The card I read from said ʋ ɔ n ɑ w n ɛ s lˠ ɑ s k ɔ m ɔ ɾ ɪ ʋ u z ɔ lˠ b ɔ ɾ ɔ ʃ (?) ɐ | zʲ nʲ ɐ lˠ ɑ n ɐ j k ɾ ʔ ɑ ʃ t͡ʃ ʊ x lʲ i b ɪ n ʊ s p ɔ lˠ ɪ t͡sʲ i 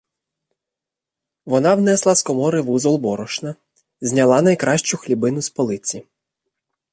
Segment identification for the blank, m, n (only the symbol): n